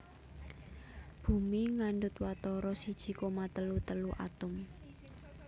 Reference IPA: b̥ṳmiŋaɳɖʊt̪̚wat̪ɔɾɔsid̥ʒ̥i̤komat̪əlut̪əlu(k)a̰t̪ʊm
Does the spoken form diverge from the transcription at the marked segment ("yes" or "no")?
yes